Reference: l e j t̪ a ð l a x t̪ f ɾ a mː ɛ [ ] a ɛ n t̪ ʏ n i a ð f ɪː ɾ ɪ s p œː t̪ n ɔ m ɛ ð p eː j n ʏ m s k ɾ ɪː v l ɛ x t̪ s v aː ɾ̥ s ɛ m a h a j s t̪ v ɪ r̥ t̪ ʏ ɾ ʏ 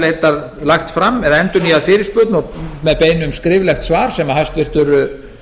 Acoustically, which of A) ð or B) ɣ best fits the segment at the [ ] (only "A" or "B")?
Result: A